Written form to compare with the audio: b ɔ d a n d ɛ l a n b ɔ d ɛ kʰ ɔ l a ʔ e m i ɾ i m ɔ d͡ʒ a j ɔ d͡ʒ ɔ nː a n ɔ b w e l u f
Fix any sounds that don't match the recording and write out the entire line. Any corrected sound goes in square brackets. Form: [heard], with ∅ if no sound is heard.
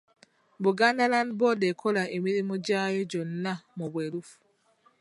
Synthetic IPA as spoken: b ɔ [ɡ] a n d [a] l a n b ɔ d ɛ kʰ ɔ l a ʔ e m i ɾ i m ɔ d͡ʒ a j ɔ d͡ʒ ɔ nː a [m] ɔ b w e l u f